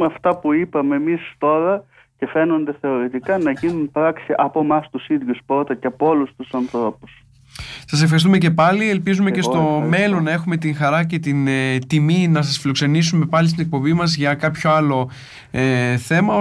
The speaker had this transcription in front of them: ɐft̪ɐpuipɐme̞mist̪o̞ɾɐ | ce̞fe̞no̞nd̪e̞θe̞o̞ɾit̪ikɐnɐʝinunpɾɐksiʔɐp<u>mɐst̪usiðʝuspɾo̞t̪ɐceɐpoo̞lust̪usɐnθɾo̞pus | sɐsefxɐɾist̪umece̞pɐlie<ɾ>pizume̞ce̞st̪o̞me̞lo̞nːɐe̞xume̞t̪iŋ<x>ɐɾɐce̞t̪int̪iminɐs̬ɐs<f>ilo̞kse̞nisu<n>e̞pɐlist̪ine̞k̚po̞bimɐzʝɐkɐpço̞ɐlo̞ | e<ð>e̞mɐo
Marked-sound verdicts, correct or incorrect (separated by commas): incorrect, incorrect, correct, correct, incorrect, incorrect